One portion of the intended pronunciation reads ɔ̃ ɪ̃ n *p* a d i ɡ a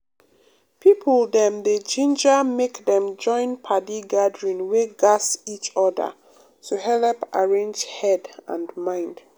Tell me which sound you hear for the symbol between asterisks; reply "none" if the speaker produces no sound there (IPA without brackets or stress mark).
pʰ